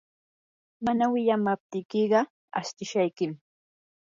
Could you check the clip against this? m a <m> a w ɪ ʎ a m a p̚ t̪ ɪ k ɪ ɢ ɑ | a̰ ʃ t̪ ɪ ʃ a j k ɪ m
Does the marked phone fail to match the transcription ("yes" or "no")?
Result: yes